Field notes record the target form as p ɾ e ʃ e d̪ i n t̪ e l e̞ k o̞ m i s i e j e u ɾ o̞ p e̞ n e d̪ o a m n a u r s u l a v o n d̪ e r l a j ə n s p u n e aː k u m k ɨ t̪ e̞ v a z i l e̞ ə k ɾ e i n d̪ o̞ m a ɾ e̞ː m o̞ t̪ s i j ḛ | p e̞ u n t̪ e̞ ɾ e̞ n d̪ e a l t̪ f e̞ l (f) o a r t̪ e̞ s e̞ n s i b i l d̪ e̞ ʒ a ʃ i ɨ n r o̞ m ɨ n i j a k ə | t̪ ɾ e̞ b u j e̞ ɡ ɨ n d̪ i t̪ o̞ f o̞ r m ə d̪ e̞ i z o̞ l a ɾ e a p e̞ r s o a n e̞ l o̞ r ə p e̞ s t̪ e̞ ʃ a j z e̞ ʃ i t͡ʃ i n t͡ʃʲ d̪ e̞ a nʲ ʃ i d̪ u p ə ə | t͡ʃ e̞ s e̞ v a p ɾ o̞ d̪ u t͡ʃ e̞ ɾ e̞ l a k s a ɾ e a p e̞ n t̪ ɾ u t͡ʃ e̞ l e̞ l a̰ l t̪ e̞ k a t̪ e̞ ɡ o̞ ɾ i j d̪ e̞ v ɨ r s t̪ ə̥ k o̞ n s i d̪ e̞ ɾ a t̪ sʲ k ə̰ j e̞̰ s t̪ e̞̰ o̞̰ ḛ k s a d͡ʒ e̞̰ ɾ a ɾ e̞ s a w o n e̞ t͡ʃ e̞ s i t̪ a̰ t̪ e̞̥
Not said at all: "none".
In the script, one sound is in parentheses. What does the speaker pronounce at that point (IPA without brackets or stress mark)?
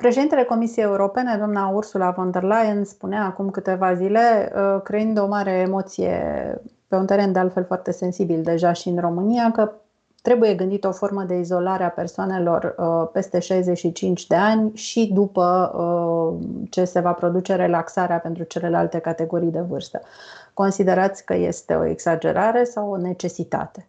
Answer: f